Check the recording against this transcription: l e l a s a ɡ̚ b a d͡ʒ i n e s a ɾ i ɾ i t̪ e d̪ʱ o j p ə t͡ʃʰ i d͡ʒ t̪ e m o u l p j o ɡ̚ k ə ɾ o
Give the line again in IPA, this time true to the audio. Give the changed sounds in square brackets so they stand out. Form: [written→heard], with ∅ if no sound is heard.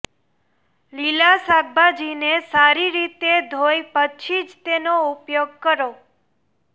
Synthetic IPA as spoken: l [e→i] l a s a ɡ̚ b a d͡ʒ i n e s a ɾ i ɾ i t̪ e d̪ʱ o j p ə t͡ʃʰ i d͡ʒ t̪ e [m→n] o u [l→∅] p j o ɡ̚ k ə ɾ o